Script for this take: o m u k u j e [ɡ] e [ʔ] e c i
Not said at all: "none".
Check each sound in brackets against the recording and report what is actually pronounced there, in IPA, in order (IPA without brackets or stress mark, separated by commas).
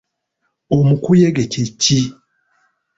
ɡ, c